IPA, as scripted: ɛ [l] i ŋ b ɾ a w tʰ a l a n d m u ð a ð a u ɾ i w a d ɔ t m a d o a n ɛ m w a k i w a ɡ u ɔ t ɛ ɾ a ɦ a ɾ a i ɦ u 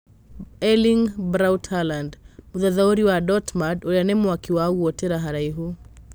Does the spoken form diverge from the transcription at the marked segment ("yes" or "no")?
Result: no